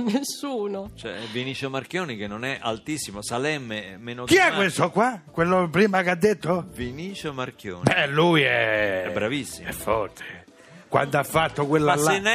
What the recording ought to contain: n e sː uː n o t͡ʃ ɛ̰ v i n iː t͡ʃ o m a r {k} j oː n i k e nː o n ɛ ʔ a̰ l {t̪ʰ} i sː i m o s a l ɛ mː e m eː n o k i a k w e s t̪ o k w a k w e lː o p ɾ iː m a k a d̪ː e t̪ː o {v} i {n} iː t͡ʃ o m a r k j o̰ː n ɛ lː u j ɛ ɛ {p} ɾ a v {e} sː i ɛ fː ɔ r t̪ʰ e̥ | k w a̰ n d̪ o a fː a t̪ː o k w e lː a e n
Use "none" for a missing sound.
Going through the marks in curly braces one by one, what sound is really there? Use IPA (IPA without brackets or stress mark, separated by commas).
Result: k, t̪, v, n, b, i